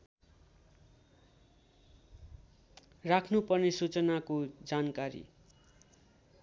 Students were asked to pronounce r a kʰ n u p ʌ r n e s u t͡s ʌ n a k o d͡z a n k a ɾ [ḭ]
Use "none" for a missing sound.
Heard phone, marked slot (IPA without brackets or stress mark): ḭ